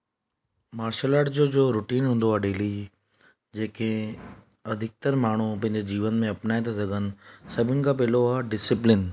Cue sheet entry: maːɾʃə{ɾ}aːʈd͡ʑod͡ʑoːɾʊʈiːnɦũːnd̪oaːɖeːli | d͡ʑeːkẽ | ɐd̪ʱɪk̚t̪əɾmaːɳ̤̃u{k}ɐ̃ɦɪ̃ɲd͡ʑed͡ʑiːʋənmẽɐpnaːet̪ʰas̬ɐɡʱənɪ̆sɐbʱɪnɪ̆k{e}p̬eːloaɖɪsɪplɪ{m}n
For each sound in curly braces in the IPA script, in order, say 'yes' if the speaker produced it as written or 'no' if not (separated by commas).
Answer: no, no, no, no